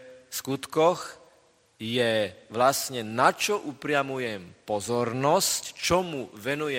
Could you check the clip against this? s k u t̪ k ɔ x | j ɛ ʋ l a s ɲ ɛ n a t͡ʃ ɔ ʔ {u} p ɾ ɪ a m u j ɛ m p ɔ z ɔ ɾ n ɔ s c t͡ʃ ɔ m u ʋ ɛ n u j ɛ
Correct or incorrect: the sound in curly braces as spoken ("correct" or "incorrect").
correct